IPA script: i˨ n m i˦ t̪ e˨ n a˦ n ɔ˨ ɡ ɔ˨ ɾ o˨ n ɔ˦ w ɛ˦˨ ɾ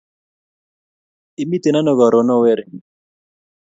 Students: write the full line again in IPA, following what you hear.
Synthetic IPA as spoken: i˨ m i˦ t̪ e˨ n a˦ n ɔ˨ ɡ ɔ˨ ɾ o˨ n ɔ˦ w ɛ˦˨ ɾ